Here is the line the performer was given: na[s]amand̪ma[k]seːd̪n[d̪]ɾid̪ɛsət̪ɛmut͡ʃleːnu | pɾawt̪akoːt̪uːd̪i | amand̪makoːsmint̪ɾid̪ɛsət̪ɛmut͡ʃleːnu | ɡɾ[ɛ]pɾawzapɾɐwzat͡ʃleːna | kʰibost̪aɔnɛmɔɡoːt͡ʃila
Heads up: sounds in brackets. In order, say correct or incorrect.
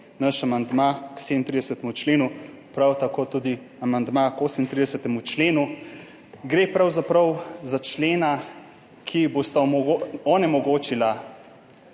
incorrect: ʃ, correct, incorrect: t̪, incorrect: e

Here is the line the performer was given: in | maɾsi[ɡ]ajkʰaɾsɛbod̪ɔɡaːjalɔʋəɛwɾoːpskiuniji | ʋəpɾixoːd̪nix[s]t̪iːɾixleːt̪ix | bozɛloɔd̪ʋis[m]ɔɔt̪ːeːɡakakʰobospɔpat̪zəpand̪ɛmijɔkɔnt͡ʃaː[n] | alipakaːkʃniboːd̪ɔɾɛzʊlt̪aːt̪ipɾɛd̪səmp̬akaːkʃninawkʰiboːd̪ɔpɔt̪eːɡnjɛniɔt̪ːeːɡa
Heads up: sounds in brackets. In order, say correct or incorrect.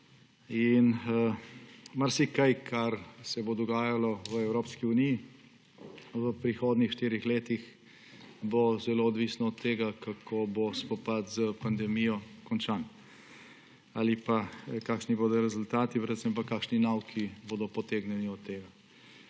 incorrect: k, incorrect: ʃ, incorrect: n, correct

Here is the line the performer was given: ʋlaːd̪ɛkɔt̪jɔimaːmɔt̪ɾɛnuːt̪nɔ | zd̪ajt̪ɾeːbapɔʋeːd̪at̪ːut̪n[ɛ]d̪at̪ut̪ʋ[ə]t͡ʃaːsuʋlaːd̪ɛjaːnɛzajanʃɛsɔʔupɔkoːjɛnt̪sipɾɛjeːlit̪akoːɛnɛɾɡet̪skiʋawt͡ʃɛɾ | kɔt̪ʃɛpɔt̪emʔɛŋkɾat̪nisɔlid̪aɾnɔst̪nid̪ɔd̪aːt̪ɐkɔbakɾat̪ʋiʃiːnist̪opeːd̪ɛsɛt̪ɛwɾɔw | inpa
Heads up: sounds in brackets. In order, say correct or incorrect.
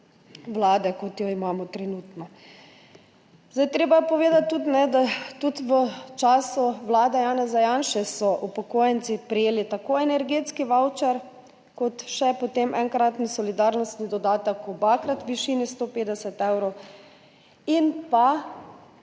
correct, correct

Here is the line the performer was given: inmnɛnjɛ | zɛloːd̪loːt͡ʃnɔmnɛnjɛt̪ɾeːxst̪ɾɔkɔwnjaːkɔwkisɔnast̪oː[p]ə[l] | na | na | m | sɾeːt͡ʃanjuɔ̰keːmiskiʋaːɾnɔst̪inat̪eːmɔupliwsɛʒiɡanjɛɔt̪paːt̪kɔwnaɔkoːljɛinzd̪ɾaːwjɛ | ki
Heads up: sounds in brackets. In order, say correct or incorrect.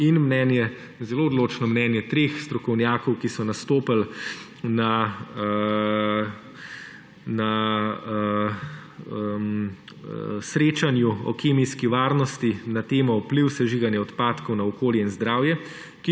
correct, correct

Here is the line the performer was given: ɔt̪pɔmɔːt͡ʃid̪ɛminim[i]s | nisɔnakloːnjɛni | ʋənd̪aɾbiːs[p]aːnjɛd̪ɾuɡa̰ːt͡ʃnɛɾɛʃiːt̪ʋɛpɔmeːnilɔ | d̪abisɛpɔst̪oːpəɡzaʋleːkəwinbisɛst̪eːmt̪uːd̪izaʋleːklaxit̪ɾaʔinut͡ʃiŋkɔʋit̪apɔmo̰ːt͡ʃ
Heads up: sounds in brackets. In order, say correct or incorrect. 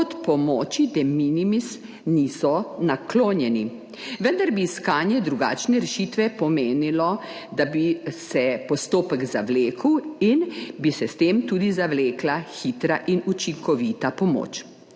correct, incorrect: k

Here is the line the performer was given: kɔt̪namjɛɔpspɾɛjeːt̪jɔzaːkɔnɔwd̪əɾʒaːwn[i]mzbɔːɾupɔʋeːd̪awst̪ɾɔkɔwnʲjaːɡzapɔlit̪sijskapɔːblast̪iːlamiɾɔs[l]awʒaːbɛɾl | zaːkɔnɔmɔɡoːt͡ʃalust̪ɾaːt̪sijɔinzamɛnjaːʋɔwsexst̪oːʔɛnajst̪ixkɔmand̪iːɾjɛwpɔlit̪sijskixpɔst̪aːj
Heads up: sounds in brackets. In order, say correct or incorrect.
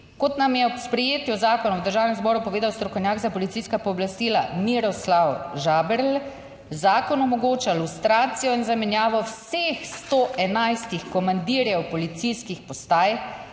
incorrect: ɛ, correct

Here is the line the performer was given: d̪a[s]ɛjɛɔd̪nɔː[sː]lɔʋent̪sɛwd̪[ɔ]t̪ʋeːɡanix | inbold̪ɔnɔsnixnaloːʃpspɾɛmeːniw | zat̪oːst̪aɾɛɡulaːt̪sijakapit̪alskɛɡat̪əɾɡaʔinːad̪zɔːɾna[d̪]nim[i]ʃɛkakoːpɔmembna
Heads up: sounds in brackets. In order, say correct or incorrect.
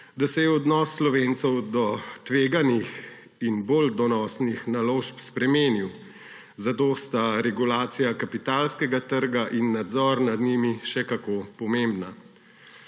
correct, correct, correct, correct, correct

